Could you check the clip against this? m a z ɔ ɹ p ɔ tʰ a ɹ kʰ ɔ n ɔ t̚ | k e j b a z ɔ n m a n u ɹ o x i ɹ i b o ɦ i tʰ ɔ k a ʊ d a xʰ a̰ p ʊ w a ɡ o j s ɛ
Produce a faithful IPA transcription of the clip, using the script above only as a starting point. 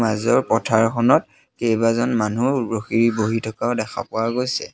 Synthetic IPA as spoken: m a z ɔ ɹ p ɔ tʰ a ɹ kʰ ɔ n ɔ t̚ | k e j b a z ɔ n m a n u ɹ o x i ɹ i b o ɦ i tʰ ɔ k a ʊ d ɛ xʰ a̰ p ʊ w a ɡ o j s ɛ